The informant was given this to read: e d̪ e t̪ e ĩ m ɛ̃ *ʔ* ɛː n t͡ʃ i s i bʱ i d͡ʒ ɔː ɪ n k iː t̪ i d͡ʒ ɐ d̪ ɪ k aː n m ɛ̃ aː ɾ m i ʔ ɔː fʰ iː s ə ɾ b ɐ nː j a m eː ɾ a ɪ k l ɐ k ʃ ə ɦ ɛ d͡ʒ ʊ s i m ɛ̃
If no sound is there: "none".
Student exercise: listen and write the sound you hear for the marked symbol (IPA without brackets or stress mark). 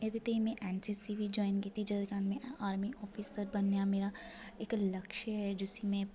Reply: ʔ